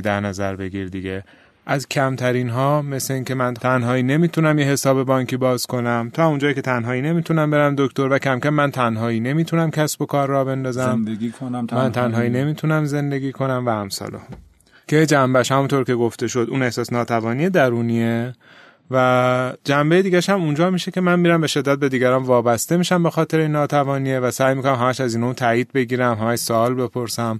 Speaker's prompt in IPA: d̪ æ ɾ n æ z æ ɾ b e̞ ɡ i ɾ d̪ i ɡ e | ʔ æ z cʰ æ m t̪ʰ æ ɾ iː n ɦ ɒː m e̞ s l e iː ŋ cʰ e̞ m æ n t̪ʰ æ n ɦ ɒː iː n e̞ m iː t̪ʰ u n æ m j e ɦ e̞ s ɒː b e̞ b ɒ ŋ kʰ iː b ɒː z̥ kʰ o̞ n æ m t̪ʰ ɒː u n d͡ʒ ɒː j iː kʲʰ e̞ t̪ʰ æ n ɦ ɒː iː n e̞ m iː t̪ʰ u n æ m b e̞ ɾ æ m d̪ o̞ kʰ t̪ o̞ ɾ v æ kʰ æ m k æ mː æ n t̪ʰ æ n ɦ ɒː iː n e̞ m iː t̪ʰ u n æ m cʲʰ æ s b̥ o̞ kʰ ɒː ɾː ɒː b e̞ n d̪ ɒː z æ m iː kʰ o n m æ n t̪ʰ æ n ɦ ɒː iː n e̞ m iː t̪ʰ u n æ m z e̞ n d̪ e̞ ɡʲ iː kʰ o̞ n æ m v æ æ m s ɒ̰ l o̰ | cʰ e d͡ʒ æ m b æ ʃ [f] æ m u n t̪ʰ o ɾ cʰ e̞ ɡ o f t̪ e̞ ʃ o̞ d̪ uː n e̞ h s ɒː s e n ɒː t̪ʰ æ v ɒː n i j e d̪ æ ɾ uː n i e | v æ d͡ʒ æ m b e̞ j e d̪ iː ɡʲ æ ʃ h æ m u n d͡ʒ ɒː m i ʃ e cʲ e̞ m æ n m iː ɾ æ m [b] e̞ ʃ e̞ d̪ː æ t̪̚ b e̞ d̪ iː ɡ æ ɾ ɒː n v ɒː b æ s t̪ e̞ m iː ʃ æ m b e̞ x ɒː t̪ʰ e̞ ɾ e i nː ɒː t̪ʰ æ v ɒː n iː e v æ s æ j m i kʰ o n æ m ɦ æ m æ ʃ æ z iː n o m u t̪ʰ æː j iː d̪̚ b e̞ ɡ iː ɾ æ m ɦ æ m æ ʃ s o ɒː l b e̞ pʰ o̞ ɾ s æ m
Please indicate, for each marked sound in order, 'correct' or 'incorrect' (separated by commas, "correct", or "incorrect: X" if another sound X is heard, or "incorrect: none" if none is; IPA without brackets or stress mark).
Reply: incorrect: h, correct